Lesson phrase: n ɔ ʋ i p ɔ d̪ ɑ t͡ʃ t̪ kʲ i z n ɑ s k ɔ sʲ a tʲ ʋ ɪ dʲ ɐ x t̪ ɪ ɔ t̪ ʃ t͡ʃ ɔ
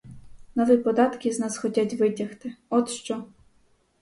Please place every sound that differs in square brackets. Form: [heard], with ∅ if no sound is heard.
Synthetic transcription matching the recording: n ɔ ʋ i p ɔ d̪ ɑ [∅] t̪ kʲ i z n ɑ s [x] ɔ [tʲ] a tʲ ʋ ɪ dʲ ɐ x t̪ ɪ ɔ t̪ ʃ t͡ʃ ɔ